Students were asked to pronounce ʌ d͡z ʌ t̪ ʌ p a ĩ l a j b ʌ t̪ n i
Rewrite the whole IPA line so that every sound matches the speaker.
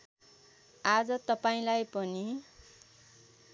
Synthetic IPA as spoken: a d͡z ʌ t̪ ʌ p a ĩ l a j p ʌ n i